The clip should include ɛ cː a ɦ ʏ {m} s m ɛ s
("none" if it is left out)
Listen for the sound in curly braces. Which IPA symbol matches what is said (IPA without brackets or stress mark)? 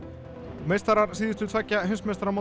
n